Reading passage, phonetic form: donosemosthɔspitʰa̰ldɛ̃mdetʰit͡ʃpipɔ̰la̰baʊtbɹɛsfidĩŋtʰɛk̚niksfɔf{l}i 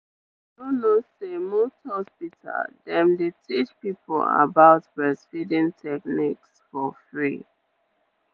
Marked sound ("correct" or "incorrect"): incorrect